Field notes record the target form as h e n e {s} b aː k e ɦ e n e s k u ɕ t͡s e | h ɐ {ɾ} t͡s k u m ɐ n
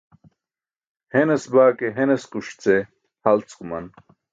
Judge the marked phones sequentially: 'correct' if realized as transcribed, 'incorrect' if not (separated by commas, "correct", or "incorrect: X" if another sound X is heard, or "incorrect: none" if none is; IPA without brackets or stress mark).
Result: correct, incorrect: l